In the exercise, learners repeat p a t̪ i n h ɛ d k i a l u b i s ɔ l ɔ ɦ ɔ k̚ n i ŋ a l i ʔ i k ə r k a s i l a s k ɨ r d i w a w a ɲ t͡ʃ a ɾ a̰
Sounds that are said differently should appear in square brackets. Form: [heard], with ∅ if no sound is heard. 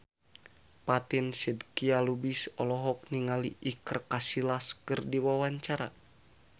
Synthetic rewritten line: p a t̪ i n [s] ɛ d k i a l u b i s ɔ l ɔ ɦ ɔ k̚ n i ŋ a l i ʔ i k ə r k a s i l a s k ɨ r d i w a w a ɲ t͡ʃ a ɾ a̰